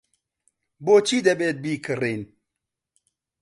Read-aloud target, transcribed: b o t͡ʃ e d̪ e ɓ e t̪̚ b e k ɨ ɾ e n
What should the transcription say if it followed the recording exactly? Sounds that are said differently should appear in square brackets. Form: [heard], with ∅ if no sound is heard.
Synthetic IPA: b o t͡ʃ [i] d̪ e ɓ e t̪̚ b [i] k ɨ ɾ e n